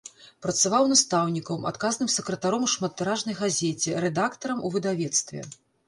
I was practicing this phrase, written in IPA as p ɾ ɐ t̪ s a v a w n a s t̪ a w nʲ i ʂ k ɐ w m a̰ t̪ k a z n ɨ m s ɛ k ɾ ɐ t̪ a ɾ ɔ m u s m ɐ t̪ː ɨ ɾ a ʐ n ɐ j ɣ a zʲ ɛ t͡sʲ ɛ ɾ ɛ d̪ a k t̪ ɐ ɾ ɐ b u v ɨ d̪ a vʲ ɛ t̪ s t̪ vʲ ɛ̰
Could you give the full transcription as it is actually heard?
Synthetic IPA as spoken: p ɾ ɐ t̪ s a v a w n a s t̪ a w nʲ i k ɐ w m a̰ t̪ k a z n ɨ m s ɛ k ɾ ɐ t̪ a ɾ ɔ m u ʂ m ɐ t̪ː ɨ ɾ a ʐ n ɐ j ɣ a zʲ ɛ t͡sʲ ɛ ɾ ɛ d̪ a k t̪ ɐ ɾ ɐ m u v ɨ d̪ a vʲ ɛ t̪ s t̪ vʲ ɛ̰